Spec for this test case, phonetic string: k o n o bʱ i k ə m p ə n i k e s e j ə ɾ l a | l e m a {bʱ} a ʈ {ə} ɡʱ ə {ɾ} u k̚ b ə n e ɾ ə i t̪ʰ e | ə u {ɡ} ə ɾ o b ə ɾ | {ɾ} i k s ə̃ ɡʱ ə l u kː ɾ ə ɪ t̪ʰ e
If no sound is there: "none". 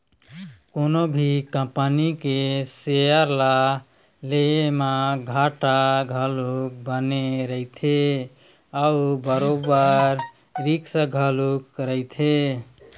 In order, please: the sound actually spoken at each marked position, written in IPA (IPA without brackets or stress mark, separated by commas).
ɡʱ, a, l, b, ɾ